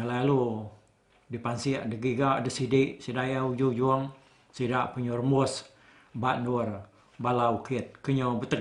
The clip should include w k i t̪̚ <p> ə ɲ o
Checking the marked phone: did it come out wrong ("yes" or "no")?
yes